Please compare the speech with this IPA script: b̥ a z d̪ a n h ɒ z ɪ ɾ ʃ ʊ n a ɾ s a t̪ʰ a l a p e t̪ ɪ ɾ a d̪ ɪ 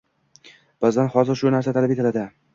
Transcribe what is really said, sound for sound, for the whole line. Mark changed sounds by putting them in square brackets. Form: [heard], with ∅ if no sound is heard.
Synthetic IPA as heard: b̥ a z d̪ a n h ɒ z ɪ ɾ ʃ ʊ n a ɾ s a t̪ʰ a l a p e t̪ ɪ [l] a d̪ ɪ